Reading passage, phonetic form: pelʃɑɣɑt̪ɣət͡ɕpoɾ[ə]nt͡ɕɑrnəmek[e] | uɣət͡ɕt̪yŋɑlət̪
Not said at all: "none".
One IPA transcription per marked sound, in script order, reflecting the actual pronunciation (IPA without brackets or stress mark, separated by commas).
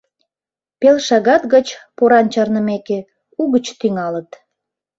ɑ, e